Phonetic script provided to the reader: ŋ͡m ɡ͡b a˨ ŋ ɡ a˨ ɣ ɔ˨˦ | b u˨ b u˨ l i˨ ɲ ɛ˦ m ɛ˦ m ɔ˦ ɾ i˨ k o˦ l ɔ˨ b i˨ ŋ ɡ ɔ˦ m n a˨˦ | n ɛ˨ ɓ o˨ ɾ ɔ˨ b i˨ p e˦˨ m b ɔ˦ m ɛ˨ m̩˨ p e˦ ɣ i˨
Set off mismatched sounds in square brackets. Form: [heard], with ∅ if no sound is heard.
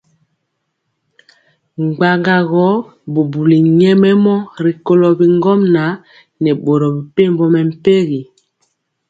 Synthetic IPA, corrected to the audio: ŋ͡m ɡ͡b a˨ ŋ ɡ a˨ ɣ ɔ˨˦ | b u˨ b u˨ l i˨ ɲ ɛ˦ m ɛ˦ m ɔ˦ ɾ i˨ k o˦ l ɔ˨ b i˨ ŋ ɡ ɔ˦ m n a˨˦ | n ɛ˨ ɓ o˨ ɾ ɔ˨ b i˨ p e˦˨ m b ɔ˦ m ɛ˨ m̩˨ p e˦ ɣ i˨